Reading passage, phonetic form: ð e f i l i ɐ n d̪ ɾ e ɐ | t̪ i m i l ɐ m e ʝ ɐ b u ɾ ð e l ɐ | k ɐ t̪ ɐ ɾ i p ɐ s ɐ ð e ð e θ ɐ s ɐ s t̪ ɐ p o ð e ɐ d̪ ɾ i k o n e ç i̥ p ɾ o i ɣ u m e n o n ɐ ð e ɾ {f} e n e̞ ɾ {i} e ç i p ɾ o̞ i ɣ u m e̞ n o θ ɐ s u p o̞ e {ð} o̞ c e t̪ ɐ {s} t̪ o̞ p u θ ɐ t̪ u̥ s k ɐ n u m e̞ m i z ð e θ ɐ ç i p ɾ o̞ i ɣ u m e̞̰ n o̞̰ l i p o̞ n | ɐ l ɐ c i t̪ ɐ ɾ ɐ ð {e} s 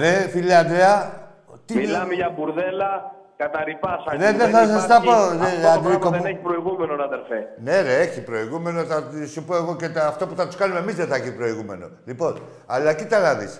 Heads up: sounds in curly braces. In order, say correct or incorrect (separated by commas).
correct, incorrect, incorrect, incorrect, incorrect